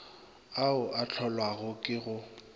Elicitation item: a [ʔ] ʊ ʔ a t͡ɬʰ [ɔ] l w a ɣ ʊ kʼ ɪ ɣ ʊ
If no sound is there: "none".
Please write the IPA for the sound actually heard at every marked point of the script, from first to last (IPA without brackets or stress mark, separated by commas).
none, ɔ